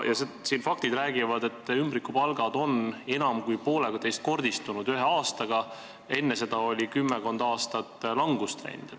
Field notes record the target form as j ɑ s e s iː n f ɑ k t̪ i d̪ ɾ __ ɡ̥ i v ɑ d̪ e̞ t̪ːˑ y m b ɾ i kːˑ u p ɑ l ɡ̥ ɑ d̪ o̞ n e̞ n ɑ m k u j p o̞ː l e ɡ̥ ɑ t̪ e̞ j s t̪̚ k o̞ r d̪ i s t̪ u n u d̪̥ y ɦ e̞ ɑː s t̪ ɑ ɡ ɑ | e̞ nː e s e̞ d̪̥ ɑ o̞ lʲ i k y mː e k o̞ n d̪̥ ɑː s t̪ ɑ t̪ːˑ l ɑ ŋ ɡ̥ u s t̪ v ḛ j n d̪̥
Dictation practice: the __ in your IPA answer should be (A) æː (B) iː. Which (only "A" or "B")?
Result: A